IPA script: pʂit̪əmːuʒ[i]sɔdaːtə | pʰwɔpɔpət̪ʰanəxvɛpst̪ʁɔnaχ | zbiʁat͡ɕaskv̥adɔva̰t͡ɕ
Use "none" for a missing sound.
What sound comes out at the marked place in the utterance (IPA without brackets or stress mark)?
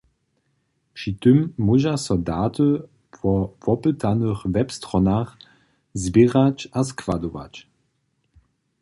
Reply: a